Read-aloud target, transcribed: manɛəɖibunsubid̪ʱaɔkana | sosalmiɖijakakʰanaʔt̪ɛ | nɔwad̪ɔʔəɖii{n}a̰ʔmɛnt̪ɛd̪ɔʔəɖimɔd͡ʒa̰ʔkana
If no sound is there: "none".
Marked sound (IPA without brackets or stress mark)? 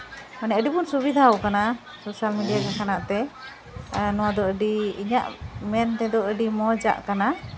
ɲ